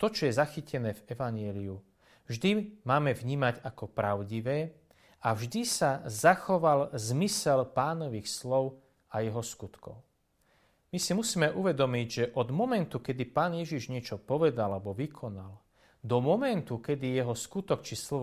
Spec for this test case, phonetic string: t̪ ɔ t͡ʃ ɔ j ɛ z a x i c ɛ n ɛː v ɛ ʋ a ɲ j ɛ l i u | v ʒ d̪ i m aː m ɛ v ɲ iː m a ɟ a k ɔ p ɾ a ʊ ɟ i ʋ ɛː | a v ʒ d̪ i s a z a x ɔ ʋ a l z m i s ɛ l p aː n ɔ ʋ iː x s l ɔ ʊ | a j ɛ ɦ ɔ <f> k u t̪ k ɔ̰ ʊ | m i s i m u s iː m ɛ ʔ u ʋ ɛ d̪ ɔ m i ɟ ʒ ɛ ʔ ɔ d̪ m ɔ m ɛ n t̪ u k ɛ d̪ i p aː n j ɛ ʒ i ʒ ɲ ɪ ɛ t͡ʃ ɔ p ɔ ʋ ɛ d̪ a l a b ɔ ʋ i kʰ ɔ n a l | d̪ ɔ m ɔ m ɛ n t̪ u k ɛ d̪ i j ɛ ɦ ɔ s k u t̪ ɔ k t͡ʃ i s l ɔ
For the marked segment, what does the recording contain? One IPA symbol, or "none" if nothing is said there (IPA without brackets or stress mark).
s